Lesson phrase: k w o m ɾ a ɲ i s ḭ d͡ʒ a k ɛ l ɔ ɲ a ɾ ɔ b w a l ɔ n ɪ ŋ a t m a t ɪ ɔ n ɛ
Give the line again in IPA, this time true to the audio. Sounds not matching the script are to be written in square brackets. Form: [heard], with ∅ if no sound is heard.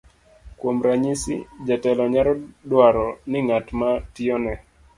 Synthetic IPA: k w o m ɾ a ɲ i s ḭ d͡ʒ a [t] ɛ l ɔ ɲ a ɾ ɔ [d] w a [ɾ] ɔ n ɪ ŋ a t m a t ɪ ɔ n ɛ